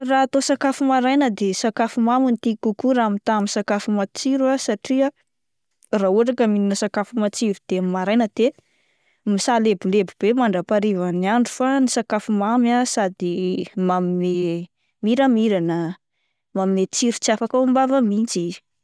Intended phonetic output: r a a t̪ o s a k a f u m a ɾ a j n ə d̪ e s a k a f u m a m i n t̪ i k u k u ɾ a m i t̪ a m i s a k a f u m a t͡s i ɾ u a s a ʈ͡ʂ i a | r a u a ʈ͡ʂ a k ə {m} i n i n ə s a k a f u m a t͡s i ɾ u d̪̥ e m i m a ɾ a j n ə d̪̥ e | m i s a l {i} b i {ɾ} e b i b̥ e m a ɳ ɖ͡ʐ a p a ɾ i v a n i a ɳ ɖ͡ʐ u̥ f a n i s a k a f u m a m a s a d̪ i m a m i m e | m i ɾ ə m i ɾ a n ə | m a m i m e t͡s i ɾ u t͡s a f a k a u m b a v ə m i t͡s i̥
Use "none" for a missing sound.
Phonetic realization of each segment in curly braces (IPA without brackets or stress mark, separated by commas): m, e, l